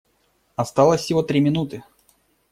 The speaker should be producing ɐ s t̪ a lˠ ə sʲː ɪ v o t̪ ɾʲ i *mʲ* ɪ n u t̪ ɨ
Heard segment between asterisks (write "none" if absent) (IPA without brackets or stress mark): mʲ